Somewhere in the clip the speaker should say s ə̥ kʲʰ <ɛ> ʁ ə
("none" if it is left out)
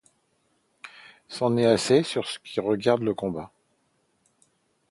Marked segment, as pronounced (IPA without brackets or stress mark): i